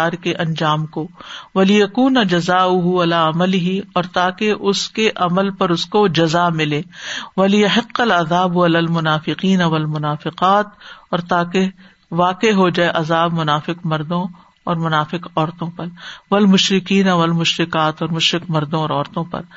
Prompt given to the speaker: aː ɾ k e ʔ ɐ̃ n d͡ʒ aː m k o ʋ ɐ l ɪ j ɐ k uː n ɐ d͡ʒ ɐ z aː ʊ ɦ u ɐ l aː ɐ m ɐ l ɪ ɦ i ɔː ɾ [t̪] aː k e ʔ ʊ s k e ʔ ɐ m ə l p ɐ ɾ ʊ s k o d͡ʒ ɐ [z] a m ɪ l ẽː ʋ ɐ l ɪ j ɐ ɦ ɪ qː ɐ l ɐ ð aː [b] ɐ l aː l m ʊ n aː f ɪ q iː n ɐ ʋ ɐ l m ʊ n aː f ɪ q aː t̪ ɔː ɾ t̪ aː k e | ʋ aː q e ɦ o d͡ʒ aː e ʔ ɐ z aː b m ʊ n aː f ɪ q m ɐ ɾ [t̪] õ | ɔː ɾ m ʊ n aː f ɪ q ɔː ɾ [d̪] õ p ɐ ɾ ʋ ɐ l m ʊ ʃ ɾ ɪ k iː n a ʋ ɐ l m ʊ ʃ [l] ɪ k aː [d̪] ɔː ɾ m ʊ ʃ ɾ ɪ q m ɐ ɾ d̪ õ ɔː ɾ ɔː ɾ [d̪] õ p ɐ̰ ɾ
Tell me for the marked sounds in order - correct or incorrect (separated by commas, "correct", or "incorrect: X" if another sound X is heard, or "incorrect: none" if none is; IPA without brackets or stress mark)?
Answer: correct, correct, correct, incorrect: d̪, incorrect: t̪, incorrect: ɾ, incorrect: t̪, incorrect: t̪